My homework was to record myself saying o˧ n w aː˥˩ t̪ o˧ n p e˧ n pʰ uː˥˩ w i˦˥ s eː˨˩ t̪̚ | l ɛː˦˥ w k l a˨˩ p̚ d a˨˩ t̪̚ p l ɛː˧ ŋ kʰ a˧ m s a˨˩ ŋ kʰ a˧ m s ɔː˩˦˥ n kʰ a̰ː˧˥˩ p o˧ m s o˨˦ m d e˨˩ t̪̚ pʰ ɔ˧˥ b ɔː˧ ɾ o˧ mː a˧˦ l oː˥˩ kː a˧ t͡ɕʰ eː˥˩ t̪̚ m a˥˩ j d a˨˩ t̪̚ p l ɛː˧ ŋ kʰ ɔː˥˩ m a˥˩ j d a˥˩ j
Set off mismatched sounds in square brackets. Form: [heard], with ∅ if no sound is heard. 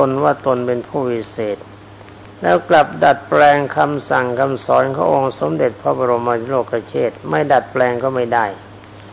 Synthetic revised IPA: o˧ n w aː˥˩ t̪ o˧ n p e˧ n pʰ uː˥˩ w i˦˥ s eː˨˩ t̪̚ | l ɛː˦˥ w k l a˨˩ p̚ d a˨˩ t̪̚ p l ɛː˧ ŋ kʰ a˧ m s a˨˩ ŋ kʰ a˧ m s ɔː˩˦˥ n kʰ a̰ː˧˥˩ [ʔ] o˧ [ŋ] s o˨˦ m d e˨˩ t̪̚ pʰ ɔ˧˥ b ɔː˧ ɾ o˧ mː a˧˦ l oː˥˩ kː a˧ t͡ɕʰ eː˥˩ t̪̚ m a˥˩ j d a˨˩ t̪̚ p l ɛː˧ ŋ [k] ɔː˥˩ m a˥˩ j d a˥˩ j